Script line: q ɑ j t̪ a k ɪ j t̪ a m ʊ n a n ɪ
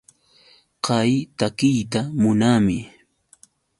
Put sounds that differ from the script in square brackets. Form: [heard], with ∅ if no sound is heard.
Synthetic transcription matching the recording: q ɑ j t̪ a k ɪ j t̪ a m ʊ n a [m] ɪ